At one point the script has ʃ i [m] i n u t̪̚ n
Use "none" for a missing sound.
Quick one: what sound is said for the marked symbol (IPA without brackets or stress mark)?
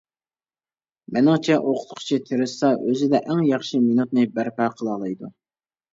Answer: m